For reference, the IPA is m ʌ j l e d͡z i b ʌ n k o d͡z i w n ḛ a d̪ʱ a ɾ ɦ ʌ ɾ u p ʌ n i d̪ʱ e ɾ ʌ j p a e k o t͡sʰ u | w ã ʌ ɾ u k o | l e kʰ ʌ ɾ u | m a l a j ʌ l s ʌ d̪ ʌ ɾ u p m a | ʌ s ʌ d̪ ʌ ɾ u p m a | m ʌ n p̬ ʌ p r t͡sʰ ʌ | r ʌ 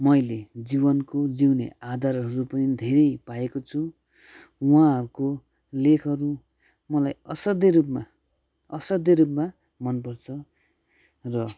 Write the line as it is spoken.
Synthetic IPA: m ʌ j l e d͡z i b ʌ n k o d͡z i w n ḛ a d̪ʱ a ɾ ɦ ʌ ɾ u p ʌ n i d̪ʱ e ɾ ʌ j p a e k o t͡sʰ u | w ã ʌ ɾ u k o | l e kʰ ʌ ɾ u | m ʌ l a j ʌ s ʌ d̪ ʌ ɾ u p m a | ʌ s ʌ d̪ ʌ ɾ u p m a | m ʌ n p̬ ʌ r t͡sʰ ʌ | r ʌ